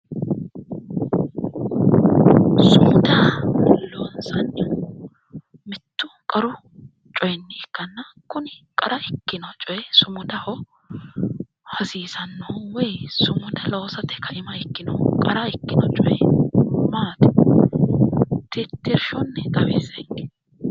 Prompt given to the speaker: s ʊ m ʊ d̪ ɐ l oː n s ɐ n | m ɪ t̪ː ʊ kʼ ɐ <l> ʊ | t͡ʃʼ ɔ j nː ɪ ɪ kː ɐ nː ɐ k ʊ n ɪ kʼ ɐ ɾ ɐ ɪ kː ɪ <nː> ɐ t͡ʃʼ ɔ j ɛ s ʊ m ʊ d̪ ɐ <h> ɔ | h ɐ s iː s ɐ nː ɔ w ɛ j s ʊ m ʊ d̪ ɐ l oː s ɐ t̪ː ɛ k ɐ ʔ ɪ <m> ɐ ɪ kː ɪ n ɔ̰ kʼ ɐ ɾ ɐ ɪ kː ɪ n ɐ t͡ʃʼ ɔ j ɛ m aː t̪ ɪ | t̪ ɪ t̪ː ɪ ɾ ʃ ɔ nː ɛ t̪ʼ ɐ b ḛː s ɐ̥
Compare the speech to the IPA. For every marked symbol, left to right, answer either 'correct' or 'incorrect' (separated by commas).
incorrect, incorrect, correct, correct